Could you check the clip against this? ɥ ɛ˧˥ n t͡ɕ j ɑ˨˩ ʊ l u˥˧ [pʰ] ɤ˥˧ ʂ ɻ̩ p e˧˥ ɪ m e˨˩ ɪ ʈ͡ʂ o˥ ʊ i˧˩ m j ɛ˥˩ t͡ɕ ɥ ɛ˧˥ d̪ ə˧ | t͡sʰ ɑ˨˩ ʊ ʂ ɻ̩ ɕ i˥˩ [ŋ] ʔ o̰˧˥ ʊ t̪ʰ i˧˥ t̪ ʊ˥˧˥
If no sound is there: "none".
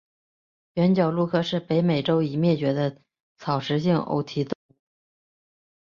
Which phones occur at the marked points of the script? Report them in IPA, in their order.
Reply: kʰ, ŋ

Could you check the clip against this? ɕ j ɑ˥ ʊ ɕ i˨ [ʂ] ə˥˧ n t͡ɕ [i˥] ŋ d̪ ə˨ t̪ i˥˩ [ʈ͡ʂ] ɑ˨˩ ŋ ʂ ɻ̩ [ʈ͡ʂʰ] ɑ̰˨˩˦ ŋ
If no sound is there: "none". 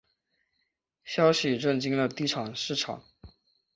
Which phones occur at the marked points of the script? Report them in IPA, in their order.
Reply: ʈ͡ʂ, i˥, ʈ͡ʂʰ, ʈ͡ʂʰ

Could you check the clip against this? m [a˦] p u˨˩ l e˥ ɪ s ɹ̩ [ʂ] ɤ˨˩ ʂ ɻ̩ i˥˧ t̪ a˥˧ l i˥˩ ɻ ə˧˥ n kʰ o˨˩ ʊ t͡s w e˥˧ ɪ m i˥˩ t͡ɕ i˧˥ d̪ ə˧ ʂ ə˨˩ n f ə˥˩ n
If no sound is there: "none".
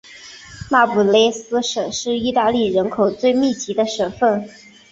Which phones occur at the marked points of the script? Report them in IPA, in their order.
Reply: a˥˩, ʂ

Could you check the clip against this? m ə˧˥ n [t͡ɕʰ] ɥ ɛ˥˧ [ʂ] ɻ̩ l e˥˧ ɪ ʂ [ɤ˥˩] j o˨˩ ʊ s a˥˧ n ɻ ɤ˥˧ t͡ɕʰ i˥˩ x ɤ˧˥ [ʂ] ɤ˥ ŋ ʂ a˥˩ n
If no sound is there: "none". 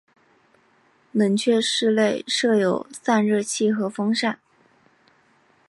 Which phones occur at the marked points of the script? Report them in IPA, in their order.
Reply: t͡ɕʰ, ʂ, ɤ˥˩, f

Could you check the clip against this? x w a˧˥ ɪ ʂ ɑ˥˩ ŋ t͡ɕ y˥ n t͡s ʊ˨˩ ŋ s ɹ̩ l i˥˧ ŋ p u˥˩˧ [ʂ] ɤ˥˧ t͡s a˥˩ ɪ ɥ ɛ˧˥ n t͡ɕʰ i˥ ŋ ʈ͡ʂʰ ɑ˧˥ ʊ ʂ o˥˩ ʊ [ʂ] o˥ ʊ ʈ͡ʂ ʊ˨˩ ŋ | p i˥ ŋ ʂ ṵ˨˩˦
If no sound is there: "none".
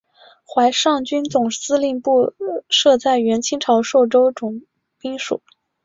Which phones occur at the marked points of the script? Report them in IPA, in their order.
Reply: ʂ, ʈ͡ʂ

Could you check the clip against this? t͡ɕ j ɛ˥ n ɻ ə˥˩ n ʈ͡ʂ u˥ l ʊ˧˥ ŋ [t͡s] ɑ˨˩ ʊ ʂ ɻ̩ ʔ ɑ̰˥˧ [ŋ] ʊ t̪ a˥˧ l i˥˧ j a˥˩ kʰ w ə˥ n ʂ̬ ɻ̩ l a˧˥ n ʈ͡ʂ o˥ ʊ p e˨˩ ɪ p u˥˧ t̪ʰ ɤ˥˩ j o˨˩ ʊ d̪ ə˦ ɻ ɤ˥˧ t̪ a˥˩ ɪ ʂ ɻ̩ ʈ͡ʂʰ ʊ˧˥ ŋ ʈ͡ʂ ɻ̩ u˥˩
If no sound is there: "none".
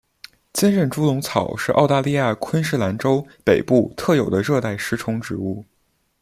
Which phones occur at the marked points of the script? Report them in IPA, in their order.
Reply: t͡sʰ, none

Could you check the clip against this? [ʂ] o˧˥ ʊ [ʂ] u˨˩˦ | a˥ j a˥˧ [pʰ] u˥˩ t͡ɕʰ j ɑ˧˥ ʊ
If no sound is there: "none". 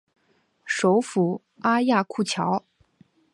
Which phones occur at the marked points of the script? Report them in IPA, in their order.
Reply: ʂ, f, kʰ

